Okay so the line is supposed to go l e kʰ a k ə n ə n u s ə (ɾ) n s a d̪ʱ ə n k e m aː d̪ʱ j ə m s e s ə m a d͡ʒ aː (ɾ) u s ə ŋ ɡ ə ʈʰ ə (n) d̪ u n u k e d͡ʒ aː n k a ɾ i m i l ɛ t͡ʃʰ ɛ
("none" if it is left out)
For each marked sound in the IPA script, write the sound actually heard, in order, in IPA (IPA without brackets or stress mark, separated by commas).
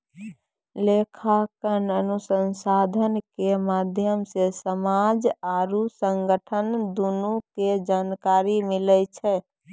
none, ɾ, n